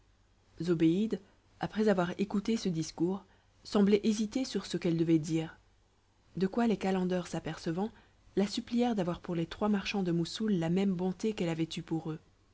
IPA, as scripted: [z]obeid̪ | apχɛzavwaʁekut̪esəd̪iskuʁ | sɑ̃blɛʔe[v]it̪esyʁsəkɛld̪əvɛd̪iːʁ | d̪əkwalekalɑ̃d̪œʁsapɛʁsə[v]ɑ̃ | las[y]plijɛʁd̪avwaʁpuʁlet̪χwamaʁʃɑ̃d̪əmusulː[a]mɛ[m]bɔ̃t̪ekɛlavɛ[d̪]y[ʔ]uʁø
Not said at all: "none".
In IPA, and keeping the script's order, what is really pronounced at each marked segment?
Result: z, z, v, y, a, m, t̪, p

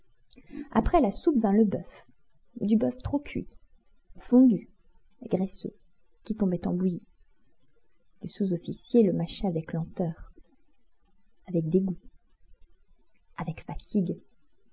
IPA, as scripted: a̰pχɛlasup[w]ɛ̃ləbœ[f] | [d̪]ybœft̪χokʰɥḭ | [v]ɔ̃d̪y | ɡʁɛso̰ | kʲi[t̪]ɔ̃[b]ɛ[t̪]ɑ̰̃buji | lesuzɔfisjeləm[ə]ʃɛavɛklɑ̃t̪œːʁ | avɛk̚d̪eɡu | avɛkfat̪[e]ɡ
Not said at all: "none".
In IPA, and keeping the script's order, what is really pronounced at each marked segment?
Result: v, f, d̪, f, t̪, b, t̪, a, i

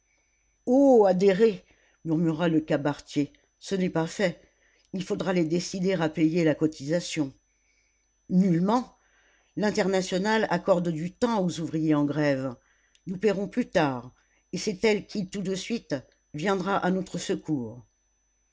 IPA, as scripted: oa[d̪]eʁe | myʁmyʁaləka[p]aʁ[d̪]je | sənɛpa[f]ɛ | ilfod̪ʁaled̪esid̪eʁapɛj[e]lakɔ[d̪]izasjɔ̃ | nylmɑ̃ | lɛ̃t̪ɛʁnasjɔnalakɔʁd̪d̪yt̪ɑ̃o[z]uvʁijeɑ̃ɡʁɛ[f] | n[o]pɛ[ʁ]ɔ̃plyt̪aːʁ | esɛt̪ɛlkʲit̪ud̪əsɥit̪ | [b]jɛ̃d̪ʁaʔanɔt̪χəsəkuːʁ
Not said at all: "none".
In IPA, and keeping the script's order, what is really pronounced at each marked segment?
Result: d̪, b, t̪, f, e, t̪, z, v, u, ʁ, v

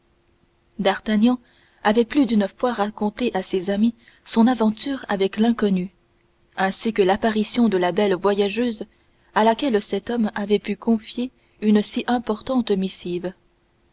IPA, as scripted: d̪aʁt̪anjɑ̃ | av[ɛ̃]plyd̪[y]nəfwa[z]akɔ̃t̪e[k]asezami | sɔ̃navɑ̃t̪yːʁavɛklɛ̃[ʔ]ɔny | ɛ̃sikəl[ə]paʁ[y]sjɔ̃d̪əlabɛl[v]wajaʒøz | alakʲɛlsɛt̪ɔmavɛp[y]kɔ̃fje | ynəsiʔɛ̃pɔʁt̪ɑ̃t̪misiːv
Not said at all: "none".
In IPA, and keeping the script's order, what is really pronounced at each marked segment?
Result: ɛ, y, ʁ, ʔ, k, a, i, v, y

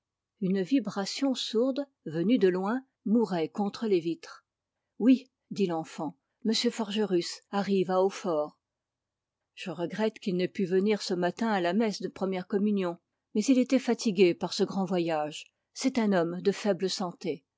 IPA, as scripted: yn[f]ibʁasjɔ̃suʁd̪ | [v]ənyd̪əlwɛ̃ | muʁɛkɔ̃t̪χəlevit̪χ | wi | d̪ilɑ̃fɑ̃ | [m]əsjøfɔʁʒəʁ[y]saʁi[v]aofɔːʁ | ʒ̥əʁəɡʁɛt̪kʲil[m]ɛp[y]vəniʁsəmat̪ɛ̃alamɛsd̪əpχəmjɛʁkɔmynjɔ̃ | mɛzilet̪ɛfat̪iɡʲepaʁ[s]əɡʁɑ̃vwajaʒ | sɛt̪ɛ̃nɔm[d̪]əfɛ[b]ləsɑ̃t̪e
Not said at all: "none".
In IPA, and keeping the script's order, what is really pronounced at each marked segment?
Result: v, v, m, y, v, n, y, s, d̪, b

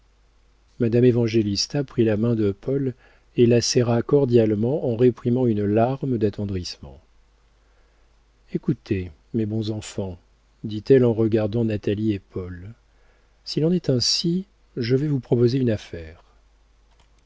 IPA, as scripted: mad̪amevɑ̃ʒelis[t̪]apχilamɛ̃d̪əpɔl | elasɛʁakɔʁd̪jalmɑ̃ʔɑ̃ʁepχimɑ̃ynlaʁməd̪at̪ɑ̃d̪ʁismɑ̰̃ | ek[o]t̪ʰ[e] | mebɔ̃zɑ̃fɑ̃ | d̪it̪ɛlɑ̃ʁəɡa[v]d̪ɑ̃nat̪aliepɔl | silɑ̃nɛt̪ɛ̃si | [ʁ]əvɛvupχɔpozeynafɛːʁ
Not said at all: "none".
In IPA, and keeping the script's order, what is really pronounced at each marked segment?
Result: t̪, u, e, ʁ, ʒ

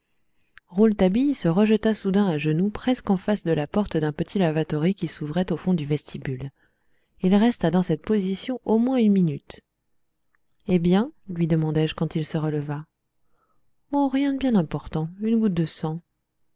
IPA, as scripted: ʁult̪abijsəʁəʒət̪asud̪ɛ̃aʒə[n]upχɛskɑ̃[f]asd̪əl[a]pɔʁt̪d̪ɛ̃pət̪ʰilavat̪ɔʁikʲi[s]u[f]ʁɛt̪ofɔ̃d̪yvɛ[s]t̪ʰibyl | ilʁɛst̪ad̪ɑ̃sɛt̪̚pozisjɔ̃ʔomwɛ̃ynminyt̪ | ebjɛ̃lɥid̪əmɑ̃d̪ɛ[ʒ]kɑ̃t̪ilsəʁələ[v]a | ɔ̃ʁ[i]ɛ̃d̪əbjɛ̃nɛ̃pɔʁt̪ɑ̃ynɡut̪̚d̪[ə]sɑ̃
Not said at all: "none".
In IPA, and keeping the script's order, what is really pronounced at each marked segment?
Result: n, f, a, s, v, s, ʒ, v, j, ə

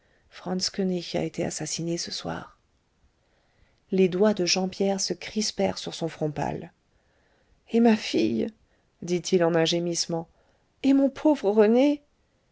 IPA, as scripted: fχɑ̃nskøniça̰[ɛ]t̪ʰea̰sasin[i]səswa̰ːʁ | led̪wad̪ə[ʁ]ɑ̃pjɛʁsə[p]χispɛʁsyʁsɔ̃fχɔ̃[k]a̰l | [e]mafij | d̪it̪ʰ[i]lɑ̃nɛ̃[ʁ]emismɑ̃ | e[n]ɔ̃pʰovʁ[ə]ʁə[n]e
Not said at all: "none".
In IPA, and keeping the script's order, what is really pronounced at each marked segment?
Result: e, e, ʒ, k, p, e, i, ʒ, m, ə, n

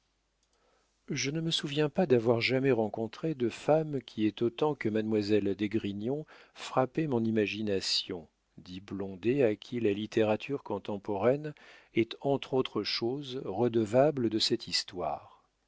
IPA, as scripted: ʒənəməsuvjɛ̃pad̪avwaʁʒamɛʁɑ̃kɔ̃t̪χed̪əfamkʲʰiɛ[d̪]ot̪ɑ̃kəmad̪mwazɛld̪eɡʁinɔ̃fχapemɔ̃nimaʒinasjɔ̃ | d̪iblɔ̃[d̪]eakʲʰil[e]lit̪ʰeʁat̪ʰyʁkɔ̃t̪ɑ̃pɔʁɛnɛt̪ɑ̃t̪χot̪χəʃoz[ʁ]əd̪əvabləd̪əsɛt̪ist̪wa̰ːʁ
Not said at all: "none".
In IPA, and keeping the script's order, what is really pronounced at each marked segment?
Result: t̪, d̪, a, ʁ

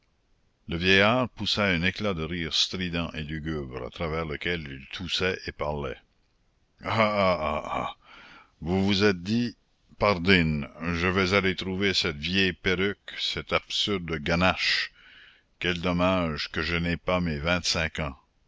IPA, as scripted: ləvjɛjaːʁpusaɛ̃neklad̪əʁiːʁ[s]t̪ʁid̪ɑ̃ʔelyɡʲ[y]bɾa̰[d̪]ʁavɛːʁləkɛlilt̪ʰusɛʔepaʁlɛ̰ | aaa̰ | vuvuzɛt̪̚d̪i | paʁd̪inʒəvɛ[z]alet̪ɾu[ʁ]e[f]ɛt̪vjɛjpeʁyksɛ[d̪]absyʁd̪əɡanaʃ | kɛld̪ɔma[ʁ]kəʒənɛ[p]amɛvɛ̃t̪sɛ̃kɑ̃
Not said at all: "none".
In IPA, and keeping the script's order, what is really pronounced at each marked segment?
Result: s, y, t̪, z, v, s, t̪, ʒ, p

